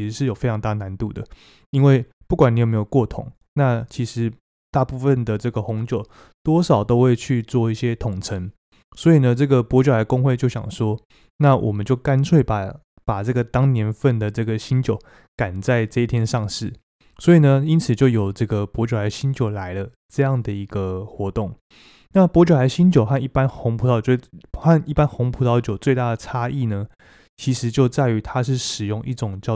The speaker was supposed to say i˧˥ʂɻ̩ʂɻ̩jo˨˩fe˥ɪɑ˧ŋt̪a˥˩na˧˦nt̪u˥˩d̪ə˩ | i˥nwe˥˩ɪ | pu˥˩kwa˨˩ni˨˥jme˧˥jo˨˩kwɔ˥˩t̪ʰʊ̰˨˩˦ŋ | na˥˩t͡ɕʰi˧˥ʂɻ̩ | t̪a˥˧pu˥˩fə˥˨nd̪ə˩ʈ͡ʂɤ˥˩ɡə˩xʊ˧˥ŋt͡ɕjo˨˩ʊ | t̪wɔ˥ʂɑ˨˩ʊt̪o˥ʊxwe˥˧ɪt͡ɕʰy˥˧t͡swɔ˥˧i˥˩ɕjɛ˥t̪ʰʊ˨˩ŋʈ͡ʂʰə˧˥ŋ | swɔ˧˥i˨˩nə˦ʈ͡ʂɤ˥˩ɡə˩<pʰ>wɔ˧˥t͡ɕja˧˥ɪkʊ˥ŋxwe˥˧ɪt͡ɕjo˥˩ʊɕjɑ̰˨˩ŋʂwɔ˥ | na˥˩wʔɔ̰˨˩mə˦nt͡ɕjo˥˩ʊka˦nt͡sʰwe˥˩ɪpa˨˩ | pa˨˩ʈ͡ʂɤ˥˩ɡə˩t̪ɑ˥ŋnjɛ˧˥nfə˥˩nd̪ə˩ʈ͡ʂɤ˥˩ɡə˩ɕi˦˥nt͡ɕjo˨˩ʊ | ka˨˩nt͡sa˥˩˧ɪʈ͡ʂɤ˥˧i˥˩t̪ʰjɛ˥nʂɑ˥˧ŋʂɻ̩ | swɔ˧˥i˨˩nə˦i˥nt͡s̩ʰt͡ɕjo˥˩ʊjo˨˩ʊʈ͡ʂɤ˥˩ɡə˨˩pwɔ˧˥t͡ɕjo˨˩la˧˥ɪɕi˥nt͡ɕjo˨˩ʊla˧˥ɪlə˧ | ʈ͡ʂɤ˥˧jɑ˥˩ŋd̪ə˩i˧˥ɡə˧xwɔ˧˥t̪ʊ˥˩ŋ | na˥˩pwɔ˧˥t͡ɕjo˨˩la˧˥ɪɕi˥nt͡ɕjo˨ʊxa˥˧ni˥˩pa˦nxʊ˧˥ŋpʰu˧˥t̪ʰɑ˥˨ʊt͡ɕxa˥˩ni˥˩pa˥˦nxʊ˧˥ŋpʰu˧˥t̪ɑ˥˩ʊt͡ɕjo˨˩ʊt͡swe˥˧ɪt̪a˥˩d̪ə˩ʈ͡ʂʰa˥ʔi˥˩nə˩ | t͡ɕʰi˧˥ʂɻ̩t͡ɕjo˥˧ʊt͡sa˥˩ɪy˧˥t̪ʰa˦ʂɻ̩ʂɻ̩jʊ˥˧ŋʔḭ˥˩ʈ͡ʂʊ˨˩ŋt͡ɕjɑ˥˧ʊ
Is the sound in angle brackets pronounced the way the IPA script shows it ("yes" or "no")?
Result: no